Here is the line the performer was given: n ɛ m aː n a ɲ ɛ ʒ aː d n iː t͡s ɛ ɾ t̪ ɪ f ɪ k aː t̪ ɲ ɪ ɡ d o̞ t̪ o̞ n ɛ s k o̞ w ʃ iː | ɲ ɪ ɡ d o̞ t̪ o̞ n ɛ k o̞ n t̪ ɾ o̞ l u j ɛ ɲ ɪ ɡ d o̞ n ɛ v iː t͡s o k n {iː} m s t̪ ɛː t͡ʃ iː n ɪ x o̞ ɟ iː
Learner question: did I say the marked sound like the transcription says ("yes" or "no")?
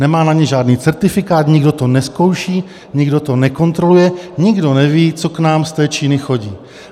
no